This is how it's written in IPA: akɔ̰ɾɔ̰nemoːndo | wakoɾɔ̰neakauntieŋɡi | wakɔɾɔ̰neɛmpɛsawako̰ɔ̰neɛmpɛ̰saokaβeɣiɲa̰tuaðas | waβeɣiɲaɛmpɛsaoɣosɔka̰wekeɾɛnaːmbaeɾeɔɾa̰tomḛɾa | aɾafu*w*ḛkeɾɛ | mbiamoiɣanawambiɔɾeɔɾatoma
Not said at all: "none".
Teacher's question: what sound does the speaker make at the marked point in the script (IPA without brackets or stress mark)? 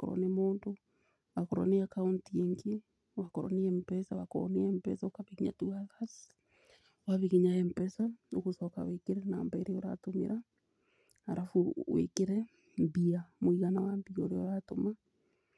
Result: w